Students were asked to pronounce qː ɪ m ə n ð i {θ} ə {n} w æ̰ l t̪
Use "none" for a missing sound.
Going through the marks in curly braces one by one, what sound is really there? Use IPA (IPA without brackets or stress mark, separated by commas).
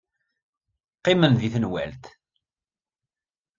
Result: θ, n